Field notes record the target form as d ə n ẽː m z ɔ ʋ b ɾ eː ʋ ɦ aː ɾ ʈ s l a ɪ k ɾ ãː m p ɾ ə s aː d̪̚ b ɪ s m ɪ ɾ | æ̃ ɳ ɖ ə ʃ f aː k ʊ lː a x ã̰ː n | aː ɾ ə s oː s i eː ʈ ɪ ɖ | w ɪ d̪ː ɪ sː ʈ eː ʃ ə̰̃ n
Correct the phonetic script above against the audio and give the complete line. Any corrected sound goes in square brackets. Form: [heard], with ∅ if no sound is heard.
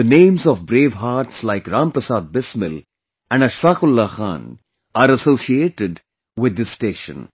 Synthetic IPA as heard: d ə n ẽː m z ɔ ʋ b ɾ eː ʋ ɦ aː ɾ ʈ s l a ɪ k ɾ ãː m p ɾ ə s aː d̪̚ b ɪ s m ɪ [l] | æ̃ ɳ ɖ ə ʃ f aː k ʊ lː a x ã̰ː n | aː ɾ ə s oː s i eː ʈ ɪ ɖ | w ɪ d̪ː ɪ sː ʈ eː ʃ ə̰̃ n